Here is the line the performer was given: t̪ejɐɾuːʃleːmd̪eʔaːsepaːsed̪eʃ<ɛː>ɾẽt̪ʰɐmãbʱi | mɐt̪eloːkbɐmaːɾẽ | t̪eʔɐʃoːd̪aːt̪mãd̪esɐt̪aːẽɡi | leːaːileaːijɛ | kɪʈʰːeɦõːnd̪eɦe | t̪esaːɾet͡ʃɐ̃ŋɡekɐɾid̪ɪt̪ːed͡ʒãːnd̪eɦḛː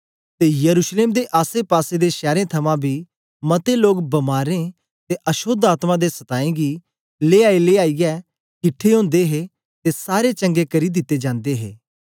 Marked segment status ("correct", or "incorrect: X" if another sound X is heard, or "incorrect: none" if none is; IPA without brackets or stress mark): correct